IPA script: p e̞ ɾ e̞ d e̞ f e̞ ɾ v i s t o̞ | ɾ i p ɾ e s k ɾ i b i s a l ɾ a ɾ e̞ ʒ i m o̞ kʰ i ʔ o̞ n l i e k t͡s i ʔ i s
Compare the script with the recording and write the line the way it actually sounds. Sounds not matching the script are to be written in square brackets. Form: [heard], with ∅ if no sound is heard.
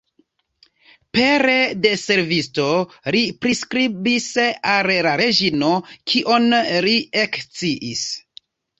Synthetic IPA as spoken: p e̞ ɾ e̞ d e̞ [s] e̞ ɾ v i s t o̞ | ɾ i p ɾ [i] s k ɾ i b i s a l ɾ a ɾ e̞ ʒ i [n] o̞ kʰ i ʔ o̞ n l i e k t͡s i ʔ i s